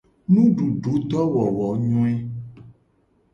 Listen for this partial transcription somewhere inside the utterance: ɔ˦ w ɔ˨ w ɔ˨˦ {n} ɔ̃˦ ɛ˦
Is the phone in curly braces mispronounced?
yes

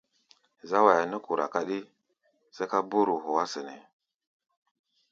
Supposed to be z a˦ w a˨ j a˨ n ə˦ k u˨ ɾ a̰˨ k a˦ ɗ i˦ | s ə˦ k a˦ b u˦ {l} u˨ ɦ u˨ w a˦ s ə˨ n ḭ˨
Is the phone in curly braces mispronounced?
yes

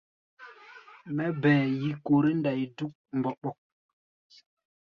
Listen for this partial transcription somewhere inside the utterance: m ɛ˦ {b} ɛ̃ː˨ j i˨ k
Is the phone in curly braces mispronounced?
no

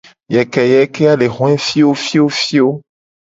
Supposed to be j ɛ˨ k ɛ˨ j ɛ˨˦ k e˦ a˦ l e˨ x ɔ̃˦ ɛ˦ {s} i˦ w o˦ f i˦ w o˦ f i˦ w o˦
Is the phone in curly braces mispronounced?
yes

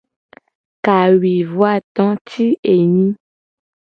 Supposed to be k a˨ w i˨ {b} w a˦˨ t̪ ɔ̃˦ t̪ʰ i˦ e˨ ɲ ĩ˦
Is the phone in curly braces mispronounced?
yes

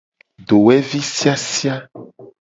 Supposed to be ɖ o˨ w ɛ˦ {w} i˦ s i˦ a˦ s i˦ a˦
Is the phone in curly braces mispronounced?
yes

